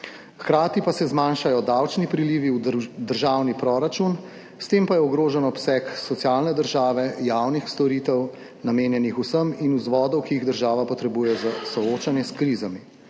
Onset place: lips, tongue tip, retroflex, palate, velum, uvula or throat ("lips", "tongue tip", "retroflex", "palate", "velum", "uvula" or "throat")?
velum